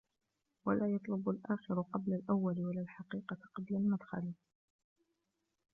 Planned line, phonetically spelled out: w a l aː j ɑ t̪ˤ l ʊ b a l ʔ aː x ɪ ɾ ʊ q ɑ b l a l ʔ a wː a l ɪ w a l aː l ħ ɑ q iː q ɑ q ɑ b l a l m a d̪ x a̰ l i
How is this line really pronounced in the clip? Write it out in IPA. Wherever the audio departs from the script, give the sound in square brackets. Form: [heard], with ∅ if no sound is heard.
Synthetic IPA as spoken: w a l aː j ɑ t̪ˤ l ʊ b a l ʔ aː x ɪ ɾ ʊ q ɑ b l a l ʔ a wː a l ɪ w a l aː l ħ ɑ q iː q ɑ q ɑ b l a l m a d̪ x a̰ l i

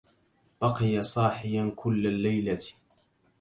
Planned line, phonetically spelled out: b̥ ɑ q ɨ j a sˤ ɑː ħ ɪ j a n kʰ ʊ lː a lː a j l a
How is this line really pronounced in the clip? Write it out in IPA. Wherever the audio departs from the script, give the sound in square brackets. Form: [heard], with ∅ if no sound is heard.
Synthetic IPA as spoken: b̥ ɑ q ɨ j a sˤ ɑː ħ ɪ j a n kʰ ʊ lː a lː a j l a

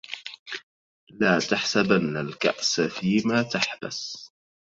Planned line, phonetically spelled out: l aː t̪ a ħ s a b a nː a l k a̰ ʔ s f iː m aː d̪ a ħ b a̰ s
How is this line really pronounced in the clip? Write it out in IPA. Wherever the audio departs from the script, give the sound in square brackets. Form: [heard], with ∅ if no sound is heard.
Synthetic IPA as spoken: l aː t̪ a ħ s a b a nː a l k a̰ ʔ s f iː m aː [t̪] a ħ b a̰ s

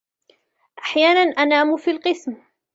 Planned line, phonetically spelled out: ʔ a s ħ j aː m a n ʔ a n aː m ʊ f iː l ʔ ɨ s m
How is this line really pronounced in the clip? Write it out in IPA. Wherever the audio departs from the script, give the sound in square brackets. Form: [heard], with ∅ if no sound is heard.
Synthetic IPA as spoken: ʔ a [∅] ħ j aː [n] a n ʔ a n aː m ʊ f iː l [q] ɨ s m

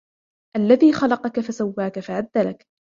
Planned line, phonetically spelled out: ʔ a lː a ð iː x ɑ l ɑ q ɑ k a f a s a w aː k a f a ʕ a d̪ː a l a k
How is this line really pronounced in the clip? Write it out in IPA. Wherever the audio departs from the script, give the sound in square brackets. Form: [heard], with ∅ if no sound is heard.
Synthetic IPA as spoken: ʔ a lː a ð iː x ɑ l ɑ q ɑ k a f a s a [wː] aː k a f a ʕ a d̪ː a l a k

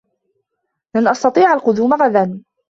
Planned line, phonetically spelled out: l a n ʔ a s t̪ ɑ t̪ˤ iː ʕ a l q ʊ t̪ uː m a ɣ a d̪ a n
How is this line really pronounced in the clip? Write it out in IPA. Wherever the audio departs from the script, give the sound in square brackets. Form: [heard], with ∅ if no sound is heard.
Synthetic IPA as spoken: l a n ʔ [ɑ] s t̪ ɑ t̪ˤ iː ʕ a l q ʊ [d̪] uː m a ɣ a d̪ a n

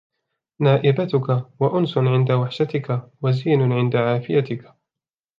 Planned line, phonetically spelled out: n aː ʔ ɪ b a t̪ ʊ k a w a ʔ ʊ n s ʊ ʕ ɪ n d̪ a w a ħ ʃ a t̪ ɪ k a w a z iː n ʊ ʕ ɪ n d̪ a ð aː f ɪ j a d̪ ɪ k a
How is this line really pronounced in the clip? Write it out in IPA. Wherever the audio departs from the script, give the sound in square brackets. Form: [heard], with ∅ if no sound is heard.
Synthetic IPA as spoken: n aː ʔ ɪ b a t̪ ʊ k a w a ʔ ʊ n s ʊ ʕ ɪ n d̪ a w a ħ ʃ a t̪ ɪ k a w a z iː n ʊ ʕ ɪ n d̪ a [ʕ] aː f ɪ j a [t̪] ɪ k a

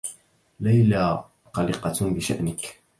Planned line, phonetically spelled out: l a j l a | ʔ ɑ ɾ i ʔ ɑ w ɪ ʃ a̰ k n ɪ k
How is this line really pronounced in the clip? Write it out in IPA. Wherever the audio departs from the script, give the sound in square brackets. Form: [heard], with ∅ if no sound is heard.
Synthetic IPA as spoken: l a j l a | [q] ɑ [l] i [q] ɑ [b] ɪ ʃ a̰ [ʔ] n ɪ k

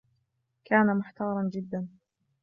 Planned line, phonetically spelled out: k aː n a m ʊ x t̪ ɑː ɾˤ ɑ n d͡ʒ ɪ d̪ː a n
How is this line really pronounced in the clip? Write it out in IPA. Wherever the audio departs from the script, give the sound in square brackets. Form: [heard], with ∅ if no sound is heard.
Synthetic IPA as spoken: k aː n a m ʊ [ħ] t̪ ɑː ɾˤ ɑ n d͡ʒ ɪ d̪ː a n

